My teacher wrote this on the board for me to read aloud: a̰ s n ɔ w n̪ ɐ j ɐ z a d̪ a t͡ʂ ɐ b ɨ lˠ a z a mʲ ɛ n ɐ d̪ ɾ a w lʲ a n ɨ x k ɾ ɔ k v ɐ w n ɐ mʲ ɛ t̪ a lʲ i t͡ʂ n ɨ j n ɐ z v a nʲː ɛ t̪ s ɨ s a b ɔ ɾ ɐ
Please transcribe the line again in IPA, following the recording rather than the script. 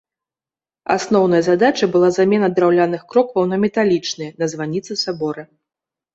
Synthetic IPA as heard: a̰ s n ɔ w n̪ ɐ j ɐ z a d̪ a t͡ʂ ɐ b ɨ lˠ a z a mʲ ɛ n ɐ d̪ ɾ a w lʲ a n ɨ x k ɾ ɔ k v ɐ w n ɐ mʲ ɛ t̪ a lʲ i t͡ʂ n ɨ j n ɐ z v a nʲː i t̪ s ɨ s a b ɔ ɾ ɐ